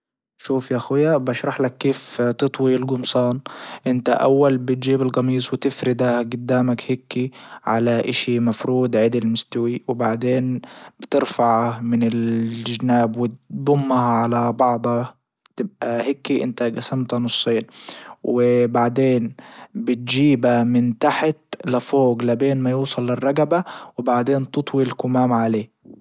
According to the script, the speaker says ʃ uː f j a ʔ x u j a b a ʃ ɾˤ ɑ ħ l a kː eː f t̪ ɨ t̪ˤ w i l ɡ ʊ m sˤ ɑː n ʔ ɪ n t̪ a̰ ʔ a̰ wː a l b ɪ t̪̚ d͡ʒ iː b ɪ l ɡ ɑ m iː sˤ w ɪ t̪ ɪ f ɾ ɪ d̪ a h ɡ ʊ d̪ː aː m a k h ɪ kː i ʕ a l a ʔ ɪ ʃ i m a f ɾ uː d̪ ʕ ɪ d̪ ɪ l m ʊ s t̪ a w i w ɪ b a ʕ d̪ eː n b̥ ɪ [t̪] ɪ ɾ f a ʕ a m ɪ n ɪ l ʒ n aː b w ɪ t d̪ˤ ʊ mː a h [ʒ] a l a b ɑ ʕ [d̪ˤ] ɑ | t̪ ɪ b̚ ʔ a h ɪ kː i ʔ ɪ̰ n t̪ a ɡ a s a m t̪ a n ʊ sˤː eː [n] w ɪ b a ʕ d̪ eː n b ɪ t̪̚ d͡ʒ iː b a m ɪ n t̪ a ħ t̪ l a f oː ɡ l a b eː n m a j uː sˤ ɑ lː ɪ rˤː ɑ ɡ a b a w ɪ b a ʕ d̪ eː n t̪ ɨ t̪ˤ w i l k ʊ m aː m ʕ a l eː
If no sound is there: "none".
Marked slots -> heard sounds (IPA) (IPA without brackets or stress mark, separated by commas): t̪, ʕ, d̪ˤ, n